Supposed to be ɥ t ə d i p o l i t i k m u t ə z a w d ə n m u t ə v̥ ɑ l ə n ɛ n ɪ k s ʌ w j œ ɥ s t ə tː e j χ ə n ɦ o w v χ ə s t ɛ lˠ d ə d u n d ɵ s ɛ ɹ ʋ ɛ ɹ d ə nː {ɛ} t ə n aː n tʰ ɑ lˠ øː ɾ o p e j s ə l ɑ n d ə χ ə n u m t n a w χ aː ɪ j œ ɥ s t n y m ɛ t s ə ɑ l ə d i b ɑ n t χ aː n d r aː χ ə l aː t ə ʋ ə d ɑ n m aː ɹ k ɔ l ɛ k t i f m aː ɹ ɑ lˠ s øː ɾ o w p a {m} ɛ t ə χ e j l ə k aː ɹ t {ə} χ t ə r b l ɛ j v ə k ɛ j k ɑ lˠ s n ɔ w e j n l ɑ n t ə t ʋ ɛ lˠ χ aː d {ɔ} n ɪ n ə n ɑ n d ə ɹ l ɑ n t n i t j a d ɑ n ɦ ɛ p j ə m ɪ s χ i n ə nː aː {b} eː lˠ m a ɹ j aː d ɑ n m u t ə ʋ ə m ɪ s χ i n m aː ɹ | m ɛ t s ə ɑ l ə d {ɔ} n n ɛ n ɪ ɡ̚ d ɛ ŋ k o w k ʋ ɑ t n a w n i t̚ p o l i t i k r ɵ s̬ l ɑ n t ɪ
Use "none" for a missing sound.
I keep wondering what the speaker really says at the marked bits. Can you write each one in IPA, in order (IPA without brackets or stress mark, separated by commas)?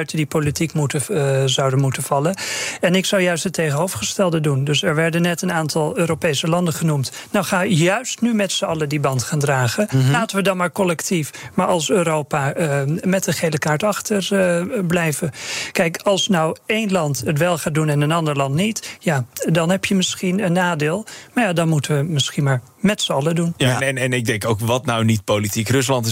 ɛ, m, ɑ, u, d, u